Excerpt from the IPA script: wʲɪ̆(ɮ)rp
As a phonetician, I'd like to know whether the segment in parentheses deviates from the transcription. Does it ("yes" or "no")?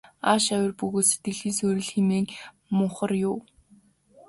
yes